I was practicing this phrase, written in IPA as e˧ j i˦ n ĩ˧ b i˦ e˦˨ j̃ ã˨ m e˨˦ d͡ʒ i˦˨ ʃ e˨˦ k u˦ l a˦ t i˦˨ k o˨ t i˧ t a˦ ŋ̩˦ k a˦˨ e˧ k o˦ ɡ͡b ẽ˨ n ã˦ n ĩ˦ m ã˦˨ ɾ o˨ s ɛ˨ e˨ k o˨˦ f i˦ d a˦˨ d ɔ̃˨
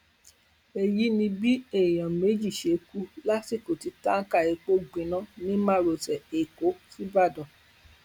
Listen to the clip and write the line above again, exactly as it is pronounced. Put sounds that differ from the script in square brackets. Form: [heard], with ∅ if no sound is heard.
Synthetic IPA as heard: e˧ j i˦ n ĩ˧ b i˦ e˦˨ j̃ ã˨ m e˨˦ d͡ʒ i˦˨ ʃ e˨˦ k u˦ l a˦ t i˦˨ k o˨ t i˧ t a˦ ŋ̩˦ k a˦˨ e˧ [k͡p] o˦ ɡ͡b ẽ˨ n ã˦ n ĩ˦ m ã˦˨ ɾ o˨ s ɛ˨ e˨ k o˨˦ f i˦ [b] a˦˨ d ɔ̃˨

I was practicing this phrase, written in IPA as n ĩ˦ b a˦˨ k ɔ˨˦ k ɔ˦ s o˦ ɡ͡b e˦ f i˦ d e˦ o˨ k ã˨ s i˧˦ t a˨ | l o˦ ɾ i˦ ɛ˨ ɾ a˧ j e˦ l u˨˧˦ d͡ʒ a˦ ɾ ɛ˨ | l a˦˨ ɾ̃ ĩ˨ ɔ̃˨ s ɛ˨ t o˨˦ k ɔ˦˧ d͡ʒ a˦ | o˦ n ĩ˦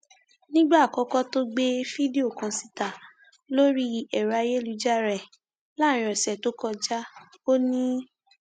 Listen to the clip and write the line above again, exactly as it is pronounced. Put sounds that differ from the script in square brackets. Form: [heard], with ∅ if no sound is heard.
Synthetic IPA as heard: n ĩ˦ [ɡ͡b] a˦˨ k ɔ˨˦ k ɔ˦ [t] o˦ ɡ͡b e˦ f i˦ d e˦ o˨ k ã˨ s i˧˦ t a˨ | l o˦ ɾ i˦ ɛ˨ ɾ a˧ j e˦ l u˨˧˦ d͡ʒ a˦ ɾ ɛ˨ | l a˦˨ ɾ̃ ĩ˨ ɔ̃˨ s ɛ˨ t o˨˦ k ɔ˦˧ d͡ʒ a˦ | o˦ n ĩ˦

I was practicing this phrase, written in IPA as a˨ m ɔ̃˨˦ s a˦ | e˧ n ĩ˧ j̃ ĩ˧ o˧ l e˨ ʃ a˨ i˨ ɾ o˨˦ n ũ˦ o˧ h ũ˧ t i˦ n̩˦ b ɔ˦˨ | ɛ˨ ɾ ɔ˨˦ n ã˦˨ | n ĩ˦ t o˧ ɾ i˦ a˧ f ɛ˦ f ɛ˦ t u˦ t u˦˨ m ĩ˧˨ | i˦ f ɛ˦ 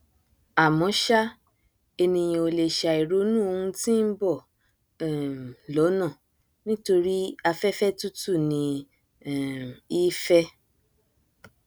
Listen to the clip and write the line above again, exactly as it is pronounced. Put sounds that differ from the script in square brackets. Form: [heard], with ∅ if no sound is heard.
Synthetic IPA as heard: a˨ m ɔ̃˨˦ [ʃ] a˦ | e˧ n ĩ˧ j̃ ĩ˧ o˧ l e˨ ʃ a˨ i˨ ɾ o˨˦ n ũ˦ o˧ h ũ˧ t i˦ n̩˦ b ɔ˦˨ | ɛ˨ [l] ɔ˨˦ n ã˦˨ | n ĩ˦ t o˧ ɾ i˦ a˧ f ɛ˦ f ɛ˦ t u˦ t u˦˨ [n] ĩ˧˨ | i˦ f ɛ˦

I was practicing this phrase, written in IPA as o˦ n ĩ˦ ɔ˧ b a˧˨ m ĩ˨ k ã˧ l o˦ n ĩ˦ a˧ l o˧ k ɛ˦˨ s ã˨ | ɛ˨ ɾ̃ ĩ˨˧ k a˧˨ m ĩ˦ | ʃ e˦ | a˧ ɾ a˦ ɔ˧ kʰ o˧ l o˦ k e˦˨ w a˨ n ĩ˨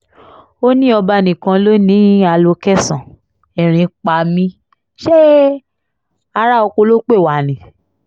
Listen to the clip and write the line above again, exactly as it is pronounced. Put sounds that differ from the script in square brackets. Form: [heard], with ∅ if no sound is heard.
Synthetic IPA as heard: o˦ n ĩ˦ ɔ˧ b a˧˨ [n] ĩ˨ k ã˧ l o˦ n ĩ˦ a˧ l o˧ k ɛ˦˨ s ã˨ | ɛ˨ ɾ̃ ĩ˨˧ [k͡p] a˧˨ m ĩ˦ | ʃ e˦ | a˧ ɾ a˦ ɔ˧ [k] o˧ l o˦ [k͡p] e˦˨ w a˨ n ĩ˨

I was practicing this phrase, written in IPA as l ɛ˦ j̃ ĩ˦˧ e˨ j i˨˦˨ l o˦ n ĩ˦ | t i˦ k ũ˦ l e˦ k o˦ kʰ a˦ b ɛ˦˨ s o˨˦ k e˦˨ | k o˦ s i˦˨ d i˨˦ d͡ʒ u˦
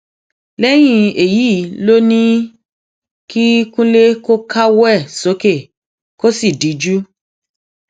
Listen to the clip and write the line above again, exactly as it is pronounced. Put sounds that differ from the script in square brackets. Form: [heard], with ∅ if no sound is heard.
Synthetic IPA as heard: l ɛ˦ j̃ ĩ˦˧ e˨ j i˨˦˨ l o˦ n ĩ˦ | [k] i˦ k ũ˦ l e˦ k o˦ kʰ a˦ [w] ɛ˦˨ s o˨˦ k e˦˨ | k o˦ s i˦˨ d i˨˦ d͡ʒ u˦

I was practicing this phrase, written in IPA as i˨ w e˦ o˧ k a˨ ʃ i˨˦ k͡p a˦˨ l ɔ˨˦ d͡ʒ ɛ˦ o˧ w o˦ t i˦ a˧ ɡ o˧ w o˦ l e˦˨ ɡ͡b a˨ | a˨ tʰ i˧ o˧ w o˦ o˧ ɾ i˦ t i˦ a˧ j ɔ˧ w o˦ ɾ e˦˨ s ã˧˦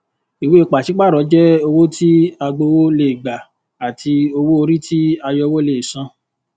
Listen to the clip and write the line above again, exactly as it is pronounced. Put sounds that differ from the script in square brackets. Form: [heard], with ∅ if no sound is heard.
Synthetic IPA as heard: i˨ w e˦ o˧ [k͡p] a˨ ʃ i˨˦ k͡p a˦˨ [ɾ] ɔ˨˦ d͡ʒ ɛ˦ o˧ w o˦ t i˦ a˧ [ɡ͡b] o˧ w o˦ l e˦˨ ɡ͡b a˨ | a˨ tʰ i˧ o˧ w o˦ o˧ ɾ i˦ t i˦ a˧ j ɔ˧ w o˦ [l] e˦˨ s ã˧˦

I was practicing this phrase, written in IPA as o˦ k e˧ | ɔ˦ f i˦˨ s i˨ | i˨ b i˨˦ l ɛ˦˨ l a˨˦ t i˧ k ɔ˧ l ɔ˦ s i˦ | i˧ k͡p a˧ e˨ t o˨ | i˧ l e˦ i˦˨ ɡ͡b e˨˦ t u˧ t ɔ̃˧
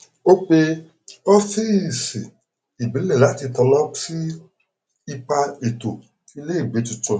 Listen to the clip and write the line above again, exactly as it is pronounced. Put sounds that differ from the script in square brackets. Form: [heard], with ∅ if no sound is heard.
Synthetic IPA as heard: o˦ [k͡p] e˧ | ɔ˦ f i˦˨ s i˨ | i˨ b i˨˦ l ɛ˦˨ l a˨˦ t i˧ [t] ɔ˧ l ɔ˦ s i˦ | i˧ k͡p a˧ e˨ t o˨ | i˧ l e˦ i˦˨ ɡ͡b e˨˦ t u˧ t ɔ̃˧

